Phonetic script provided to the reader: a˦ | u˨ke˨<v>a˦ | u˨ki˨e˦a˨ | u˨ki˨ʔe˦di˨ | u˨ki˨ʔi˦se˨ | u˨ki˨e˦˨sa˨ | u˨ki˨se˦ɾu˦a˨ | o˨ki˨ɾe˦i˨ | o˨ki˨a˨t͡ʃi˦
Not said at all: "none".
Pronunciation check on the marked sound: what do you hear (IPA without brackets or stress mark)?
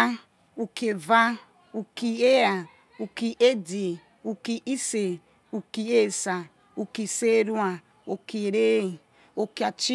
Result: v